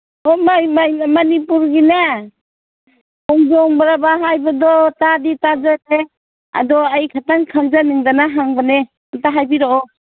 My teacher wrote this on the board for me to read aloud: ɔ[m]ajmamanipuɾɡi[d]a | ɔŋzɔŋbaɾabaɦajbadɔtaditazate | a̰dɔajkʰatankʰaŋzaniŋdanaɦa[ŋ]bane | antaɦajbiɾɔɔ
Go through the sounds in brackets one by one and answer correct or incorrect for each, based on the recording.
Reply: correct, incorrect, correct

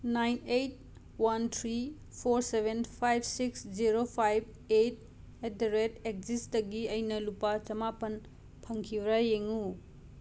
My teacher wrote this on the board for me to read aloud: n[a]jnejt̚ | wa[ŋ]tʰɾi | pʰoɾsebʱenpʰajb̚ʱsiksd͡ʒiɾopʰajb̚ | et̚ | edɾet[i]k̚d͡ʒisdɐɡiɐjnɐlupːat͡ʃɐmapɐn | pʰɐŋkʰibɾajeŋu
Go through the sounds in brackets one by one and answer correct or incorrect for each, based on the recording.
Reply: correct, incorrect, incorrect

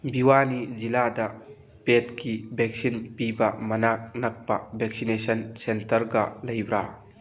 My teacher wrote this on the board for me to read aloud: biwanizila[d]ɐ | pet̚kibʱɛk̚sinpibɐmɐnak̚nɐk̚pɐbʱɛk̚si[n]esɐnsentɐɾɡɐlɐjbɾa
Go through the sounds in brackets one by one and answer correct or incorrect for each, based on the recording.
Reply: correct, correct

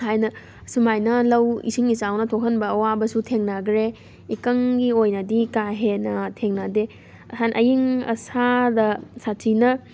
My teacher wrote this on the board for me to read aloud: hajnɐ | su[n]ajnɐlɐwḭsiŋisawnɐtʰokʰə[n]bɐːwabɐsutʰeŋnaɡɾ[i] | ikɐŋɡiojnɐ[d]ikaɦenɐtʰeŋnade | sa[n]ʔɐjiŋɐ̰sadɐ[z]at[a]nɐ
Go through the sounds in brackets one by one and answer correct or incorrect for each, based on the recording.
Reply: incorrect, correct, incorrect, correct, correct, incorrect, incorrect

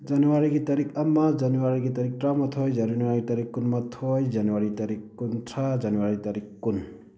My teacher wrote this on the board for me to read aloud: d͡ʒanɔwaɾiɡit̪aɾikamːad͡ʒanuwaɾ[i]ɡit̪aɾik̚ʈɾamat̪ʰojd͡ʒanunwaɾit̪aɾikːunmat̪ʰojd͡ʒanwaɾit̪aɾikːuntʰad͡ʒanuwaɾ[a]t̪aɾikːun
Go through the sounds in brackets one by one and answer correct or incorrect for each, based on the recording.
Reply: correct, incorrect

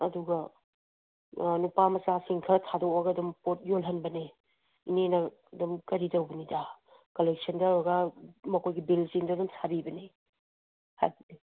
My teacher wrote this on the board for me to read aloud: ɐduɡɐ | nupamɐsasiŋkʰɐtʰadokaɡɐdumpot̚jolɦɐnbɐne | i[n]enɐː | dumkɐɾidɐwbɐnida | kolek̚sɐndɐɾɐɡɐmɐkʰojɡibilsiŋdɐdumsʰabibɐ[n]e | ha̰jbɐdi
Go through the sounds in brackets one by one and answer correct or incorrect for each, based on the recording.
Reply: correct, correct

